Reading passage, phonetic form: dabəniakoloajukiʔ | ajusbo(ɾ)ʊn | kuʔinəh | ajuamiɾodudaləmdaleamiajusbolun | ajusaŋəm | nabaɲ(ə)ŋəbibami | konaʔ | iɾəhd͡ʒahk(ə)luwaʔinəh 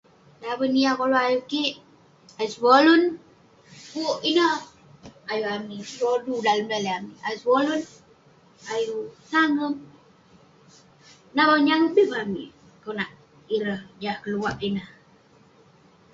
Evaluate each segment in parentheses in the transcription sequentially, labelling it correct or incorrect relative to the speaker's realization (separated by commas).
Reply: incorrect, incorrect, correct